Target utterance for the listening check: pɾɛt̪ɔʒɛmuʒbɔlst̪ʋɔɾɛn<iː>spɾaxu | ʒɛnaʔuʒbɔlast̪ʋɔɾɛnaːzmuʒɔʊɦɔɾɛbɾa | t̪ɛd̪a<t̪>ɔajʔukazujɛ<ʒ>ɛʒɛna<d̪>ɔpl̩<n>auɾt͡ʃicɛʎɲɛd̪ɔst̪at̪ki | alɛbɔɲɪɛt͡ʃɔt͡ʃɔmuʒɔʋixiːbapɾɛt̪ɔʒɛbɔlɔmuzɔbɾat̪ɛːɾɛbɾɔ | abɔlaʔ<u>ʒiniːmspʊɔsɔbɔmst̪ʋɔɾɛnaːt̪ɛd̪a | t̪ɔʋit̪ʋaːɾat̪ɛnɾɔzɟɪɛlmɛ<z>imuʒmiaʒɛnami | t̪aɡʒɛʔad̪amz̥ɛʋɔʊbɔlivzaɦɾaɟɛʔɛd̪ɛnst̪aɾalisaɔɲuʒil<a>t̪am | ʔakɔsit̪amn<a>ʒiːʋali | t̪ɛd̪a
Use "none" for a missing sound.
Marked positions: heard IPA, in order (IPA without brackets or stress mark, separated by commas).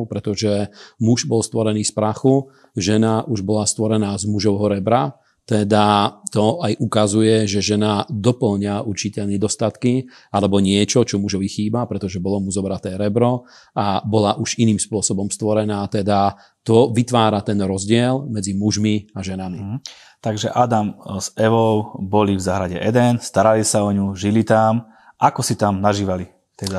iː, t̪, ʒ, d̪, ɲ, u, d͡z, i, a